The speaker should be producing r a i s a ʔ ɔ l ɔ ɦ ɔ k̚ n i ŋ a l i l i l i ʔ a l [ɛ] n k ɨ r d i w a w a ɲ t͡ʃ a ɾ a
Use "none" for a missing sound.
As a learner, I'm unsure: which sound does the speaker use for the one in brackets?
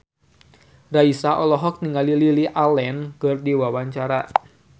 ɛ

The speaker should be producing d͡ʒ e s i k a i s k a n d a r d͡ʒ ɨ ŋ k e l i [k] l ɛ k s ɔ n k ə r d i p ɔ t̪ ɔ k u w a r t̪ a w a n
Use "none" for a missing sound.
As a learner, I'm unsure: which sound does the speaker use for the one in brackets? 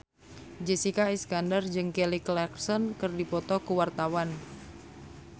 k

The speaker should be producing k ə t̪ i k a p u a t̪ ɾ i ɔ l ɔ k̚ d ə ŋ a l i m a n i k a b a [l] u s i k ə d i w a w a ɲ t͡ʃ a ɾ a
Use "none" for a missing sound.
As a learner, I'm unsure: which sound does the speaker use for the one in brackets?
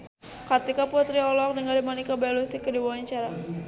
l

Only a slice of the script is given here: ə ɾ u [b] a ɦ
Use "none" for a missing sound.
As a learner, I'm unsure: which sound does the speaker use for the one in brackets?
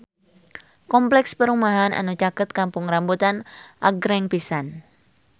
m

